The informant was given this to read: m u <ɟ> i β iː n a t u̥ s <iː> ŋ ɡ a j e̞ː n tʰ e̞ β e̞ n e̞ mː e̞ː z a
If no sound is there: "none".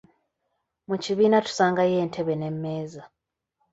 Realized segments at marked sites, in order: c, aː

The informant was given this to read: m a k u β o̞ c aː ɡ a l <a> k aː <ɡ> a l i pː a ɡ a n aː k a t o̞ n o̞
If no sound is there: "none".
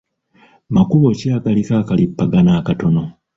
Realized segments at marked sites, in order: i, k

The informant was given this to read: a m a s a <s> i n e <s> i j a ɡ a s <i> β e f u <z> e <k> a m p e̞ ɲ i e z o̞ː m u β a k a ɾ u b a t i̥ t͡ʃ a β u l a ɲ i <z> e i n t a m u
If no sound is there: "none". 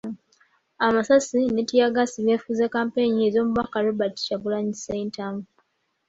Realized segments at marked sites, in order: s, t, i, z, k, s

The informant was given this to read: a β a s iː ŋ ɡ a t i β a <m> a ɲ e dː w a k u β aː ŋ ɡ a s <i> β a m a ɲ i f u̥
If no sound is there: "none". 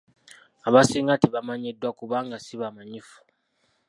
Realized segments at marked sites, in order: m, i

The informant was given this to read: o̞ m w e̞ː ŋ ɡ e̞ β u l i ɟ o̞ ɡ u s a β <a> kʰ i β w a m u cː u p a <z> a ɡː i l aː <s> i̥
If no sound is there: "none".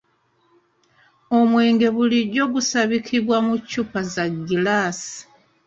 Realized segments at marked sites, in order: i, z, s

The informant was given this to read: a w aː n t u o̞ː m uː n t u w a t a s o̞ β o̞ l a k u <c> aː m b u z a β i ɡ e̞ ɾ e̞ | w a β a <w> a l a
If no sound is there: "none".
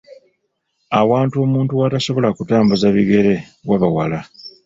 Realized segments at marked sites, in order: t, w

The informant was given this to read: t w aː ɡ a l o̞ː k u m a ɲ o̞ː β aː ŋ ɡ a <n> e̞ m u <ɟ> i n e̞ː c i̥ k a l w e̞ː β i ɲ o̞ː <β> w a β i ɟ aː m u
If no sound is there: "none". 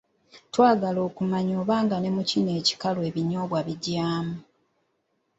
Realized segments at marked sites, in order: n, c, β

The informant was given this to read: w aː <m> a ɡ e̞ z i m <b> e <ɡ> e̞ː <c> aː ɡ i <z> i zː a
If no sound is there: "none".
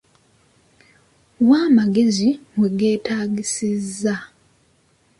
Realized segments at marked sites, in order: m, w, ɡ, t, s

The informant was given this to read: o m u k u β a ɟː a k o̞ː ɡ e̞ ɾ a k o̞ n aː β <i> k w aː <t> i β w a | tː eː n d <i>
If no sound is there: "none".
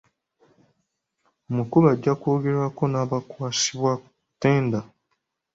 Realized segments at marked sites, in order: a, s, a

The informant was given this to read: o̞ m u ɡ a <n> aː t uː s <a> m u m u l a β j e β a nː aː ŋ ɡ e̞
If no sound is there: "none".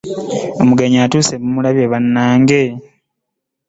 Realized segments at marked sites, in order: ɲ, e

